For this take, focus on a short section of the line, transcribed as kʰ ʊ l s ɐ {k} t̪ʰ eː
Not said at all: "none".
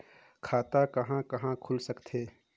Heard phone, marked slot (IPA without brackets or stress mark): k